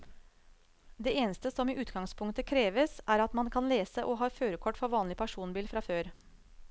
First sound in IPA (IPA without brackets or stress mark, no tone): d̪